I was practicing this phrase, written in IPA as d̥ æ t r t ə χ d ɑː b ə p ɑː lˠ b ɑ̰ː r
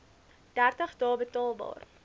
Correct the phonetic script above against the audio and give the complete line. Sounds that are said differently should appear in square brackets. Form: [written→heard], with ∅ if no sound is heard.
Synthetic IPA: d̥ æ [t→∅] r t ə χ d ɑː b ə [p→t] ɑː lˠ b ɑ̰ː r